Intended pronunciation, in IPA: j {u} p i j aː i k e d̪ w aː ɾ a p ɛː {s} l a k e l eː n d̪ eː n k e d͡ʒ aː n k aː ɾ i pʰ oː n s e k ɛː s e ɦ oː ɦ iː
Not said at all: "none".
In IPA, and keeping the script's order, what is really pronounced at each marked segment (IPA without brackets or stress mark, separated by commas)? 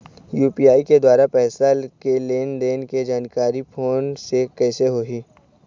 uː, s